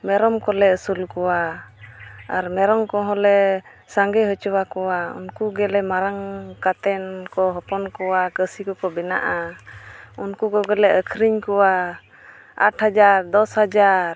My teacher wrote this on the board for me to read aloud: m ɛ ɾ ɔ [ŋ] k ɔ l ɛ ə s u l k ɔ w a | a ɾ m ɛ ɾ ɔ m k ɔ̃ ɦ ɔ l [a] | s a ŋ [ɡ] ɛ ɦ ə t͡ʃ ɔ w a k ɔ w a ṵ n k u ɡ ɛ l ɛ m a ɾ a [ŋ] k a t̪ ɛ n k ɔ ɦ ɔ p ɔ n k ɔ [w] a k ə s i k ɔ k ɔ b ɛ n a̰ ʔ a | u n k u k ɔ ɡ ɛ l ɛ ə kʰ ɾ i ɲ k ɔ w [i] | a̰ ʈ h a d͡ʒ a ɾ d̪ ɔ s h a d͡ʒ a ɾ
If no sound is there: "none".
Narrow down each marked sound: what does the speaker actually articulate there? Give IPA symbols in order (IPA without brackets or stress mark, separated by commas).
m, ɛ, ɡ, ŋ, w, a